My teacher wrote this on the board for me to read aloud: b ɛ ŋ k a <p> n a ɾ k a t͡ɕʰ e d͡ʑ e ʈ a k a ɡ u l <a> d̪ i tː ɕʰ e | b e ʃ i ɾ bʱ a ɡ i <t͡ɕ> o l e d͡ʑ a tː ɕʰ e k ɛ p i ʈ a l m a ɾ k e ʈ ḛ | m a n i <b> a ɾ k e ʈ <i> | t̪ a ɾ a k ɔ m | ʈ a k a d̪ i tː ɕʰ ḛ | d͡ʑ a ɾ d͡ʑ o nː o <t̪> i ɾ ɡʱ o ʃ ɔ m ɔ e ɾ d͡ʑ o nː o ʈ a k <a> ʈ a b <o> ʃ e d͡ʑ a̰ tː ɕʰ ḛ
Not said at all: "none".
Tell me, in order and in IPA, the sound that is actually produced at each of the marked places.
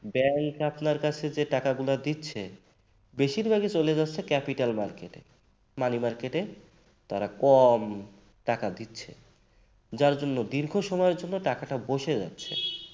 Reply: p, a, t͡ɕ, m, e, d̪, a, o

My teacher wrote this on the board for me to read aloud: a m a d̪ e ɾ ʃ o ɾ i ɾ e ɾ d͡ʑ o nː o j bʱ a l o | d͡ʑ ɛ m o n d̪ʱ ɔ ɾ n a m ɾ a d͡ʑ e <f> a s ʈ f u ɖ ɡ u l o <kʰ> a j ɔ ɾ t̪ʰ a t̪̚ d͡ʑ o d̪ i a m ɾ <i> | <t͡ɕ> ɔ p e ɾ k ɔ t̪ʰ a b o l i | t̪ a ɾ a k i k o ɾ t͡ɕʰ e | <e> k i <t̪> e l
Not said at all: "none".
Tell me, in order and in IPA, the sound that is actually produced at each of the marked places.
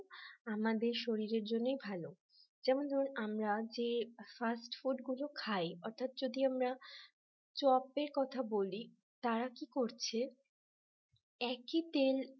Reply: f, kʰ, a, t͡ɕ, ɛ, t̪

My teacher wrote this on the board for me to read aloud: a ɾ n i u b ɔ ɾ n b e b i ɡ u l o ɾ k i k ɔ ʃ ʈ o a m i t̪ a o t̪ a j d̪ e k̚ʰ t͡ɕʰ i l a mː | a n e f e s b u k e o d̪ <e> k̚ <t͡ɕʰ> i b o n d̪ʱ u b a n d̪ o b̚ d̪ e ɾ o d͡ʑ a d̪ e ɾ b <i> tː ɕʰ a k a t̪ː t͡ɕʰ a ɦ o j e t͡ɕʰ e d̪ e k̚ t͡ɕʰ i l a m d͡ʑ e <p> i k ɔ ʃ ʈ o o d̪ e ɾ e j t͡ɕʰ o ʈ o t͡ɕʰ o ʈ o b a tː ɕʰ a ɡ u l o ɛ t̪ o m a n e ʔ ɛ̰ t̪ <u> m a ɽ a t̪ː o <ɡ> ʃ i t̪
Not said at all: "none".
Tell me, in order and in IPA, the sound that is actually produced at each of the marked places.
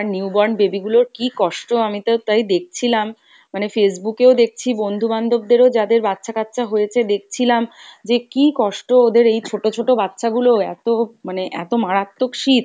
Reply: e, t͡ɕʰ, a, k, o, k

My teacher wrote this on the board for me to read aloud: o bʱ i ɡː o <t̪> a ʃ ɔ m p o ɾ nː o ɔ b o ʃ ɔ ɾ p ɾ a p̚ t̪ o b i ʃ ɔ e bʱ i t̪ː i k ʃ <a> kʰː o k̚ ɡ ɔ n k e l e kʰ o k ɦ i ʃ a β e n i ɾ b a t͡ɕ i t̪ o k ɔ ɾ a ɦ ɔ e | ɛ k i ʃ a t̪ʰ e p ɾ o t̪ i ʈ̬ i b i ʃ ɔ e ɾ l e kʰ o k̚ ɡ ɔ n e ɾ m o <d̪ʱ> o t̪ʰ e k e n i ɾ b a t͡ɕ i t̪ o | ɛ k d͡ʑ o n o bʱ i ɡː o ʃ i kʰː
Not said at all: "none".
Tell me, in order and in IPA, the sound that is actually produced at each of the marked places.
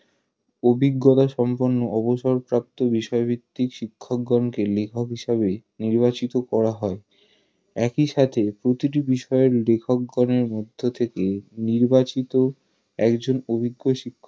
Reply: t̪, i, d̪ʱː

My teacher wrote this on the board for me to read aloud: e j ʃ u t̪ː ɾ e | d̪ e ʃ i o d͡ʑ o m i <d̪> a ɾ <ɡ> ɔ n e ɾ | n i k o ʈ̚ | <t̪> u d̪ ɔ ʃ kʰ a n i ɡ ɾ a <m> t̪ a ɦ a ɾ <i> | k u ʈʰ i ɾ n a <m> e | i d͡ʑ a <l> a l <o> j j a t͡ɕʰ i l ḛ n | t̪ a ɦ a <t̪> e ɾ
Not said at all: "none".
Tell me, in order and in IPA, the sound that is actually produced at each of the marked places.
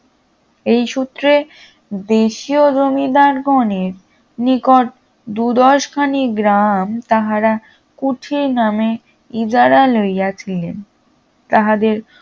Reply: d̪, ɡ, d̪, m, a, m, ɾ, o, d̪

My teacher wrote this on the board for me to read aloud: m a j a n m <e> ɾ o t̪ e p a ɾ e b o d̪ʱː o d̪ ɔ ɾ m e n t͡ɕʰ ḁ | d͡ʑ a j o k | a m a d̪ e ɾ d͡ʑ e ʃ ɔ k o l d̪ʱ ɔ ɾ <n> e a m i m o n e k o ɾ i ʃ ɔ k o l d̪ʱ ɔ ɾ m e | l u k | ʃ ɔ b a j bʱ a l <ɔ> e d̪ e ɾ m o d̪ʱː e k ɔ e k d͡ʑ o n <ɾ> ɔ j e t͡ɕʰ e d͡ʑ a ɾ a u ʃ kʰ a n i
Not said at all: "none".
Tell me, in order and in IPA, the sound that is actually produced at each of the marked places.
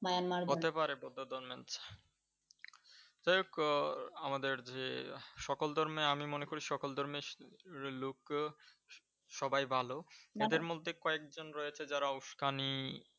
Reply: a, m, o, ɾ

